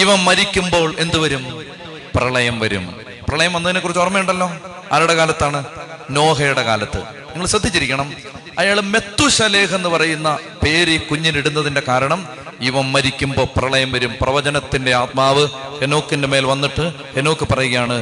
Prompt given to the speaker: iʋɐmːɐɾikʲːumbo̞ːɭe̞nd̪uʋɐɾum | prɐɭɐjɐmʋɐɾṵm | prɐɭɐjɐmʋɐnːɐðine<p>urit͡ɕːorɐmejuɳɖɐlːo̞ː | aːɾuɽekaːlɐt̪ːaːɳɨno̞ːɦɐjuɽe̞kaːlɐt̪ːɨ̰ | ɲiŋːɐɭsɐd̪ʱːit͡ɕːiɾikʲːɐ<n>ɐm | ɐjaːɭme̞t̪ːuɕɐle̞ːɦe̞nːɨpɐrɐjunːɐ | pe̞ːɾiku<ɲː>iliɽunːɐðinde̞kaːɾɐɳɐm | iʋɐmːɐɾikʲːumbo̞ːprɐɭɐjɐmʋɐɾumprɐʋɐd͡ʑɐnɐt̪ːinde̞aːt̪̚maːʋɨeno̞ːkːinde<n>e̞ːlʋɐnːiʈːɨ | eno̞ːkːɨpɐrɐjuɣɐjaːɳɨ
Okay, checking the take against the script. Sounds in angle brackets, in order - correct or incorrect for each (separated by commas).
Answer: incorrect, incorrect, correct, incorrect